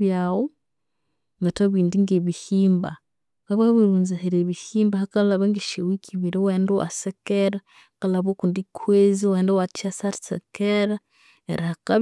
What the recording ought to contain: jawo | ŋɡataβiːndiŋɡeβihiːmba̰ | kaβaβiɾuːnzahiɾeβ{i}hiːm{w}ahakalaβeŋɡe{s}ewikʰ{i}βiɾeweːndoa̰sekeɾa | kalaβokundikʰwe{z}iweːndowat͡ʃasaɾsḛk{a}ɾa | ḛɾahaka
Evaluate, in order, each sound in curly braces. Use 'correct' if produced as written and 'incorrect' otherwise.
correct, incorrect, incorrect, correct, correct, incorrect

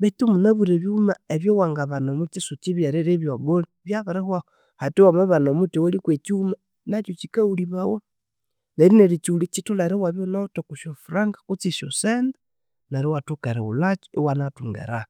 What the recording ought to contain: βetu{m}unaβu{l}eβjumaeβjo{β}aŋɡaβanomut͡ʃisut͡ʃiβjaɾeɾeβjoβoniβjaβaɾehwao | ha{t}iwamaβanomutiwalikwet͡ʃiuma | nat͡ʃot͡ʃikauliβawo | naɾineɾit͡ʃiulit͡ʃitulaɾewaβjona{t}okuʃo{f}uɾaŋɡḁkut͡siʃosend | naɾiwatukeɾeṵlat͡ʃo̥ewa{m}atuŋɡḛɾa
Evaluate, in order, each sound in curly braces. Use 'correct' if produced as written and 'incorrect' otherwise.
correct, incorrect, incorrect, correct, correct, correct, incorrect

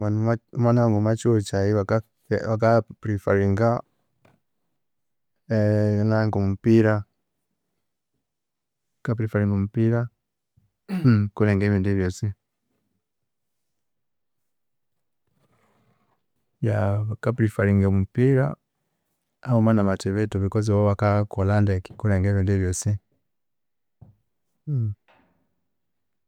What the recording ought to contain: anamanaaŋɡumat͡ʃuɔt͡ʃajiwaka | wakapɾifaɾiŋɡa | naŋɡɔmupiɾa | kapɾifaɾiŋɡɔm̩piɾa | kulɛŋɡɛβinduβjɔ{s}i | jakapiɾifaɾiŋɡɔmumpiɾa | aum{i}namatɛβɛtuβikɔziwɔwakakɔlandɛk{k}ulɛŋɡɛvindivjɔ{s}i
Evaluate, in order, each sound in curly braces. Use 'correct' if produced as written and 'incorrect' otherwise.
correct, incorrect, correct, correct

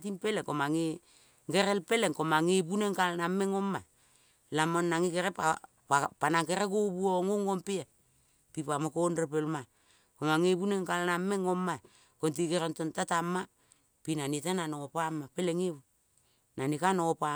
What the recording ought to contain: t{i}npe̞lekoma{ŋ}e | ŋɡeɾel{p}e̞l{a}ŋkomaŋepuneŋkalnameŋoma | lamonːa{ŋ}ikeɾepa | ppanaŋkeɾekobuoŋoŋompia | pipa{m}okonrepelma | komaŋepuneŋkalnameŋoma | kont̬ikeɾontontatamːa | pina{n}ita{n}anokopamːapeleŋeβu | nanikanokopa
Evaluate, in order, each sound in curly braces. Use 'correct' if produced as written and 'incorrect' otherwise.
correct, correct, correct, incorrect, correct, correct, correct, correct

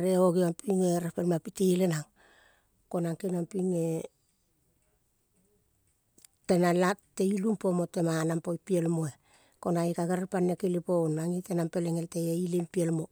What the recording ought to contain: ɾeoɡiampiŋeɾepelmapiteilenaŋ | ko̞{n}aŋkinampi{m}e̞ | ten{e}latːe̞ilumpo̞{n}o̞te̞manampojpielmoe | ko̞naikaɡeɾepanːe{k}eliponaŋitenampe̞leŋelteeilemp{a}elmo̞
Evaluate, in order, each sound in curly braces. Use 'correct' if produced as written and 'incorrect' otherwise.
correct, incorrect, incorrect, incorrect, correct, incorrect

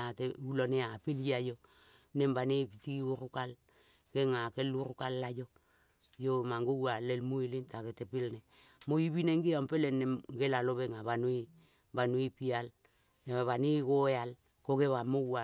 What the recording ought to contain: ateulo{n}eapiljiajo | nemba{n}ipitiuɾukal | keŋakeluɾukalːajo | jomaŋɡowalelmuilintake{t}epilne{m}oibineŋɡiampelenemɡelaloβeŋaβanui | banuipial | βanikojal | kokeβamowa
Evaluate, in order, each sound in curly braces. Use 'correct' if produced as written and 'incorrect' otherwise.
correct, correct, correct, correct

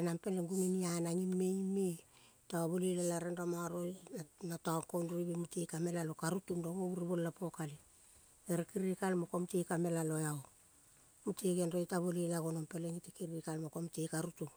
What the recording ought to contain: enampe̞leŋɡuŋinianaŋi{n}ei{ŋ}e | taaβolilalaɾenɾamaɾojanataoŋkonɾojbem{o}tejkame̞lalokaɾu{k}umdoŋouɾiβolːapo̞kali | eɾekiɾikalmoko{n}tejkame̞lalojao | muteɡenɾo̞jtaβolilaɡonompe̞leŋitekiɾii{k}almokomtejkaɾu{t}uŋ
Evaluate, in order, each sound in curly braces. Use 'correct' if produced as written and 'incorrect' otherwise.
incorrect, incorrect, incorrect, incorrect, incorrect, correct, correct

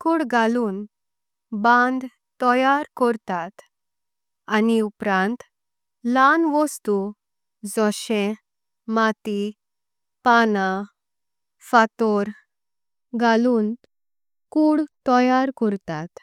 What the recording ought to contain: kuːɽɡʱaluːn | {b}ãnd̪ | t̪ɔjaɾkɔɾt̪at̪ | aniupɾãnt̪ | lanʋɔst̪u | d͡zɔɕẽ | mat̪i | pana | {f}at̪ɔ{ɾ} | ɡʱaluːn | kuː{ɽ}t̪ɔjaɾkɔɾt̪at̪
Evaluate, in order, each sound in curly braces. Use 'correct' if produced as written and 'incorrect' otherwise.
correct, correct, correct, correct

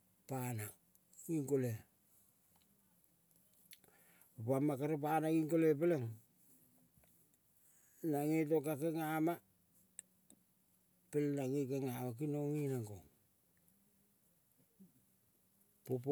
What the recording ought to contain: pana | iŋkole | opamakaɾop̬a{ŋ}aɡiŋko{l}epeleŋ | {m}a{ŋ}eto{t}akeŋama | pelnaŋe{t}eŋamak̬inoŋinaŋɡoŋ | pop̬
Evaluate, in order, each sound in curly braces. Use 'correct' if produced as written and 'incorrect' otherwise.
incorrect, correct, incorrect, correct, incorrect, incorrect

